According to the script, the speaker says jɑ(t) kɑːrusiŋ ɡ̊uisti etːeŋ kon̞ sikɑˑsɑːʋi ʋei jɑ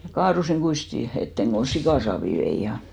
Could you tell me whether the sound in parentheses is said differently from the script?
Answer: yes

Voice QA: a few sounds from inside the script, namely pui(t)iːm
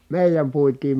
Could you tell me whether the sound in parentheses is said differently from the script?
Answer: no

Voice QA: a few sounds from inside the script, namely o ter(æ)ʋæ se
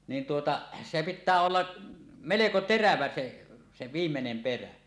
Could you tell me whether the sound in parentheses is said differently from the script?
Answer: no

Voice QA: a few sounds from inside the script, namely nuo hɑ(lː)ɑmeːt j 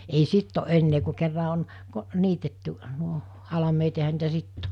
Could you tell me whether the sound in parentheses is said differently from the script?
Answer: yes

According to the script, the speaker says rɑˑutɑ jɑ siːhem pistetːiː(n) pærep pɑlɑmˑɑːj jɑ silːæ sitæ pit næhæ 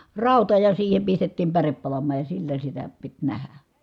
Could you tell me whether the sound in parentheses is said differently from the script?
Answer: yes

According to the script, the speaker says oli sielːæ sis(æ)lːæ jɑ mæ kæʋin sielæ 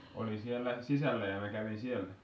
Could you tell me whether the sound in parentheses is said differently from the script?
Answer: no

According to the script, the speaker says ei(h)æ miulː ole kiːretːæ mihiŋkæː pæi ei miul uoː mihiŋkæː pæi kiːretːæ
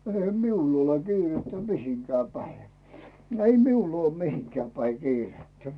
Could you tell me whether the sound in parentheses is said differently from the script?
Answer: no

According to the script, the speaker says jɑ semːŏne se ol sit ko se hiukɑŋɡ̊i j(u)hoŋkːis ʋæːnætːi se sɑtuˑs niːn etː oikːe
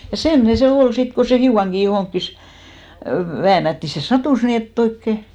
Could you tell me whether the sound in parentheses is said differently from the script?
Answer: yes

